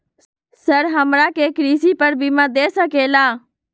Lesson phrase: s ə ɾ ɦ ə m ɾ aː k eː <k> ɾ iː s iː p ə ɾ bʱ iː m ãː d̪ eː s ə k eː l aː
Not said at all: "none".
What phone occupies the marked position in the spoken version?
k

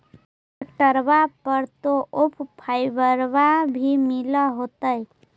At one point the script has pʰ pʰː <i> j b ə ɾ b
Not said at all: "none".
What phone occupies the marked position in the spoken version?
a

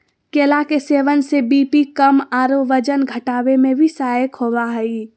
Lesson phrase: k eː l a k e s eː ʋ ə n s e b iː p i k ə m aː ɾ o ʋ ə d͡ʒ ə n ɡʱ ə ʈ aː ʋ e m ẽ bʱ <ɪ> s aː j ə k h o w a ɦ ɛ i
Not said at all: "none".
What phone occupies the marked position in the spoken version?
i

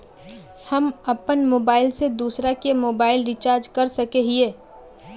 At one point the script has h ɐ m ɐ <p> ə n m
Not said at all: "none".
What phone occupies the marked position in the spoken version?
p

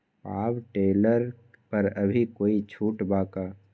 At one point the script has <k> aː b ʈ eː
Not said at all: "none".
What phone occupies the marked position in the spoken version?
p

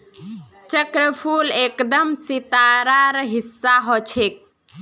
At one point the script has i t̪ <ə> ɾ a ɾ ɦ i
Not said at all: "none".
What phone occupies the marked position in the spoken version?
a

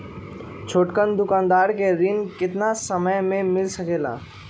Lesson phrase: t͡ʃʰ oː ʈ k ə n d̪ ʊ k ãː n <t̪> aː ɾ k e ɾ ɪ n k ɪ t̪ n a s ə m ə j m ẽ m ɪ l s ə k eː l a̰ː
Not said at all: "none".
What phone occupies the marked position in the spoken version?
d̪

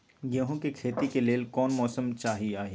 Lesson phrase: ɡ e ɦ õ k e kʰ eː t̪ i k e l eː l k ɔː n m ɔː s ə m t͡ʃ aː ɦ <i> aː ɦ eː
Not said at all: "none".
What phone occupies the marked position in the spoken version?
i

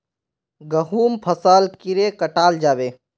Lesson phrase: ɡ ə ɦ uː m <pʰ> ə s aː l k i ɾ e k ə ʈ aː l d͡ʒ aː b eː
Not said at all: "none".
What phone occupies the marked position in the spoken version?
pʰ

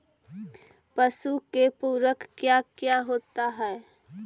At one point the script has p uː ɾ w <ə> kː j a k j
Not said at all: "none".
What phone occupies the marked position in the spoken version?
ə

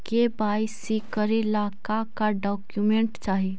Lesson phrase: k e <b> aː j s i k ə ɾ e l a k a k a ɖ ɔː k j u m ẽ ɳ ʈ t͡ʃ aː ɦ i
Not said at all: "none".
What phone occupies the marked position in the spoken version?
b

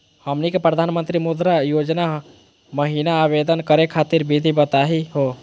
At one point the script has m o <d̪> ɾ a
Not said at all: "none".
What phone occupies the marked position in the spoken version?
d̪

